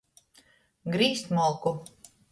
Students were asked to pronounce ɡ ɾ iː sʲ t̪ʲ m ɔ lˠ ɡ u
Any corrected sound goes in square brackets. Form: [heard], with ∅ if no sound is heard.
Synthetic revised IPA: ɡ ɾ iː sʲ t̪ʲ m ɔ lˠ [k] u